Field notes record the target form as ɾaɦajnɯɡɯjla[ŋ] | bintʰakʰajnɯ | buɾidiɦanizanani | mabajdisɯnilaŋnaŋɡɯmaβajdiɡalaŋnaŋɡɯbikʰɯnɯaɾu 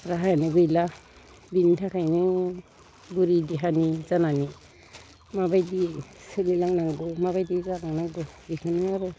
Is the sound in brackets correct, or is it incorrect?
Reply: incorrect